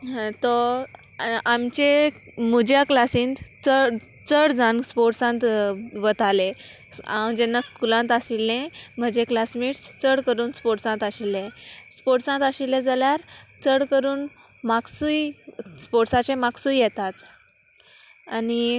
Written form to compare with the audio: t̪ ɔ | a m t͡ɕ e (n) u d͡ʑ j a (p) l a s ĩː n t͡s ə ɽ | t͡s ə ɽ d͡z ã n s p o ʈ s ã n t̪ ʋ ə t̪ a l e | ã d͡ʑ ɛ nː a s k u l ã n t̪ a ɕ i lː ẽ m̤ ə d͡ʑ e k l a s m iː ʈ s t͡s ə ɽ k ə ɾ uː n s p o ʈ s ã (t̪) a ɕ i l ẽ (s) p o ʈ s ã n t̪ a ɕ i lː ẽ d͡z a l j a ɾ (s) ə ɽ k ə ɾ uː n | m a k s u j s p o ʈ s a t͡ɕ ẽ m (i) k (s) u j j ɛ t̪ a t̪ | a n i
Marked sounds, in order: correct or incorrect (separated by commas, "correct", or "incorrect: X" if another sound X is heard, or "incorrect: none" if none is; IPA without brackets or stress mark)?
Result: incorrect: m, incorrect: k, correct, correct, incorrect: t͡s, incorrect: a, correct